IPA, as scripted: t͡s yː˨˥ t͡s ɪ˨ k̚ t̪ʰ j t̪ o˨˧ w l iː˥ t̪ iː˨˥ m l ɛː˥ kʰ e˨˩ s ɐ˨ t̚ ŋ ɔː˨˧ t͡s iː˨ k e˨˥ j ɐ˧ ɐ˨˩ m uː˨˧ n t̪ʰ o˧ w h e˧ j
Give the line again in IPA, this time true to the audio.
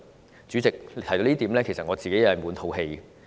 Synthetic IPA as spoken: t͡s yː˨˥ t͡s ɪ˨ k̚ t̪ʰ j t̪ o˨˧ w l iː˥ t̪ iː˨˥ m l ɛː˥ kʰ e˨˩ s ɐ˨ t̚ ŋ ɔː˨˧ t͡s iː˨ k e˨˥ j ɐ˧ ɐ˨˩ m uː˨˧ n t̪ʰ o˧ w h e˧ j